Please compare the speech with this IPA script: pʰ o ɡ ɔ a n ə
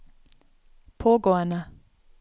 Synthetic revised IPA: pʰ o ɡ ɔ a n a